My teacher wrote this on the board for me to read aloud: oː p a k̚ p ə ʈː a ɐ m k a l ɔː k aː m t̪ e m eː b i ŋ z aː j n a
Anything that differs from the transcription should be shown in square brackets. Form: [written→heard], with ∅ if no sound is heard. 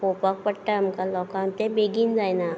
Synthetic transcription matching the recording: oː p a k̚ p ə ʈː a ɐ m k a l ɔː k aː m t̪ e [m→b] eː [b→ɡ] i [ŋ→n] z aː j n a